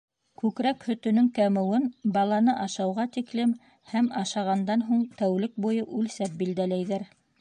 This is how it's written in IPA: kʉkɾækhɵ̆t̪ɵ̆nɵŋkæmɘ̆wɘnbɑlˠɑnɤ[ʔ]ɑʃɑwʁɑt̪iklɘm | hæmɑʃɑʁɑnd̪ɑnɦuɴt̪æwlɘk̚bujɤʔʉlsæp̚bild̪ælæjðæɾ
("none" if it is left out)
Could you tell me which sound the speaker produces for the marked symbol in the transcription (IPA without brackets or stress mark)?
ʔ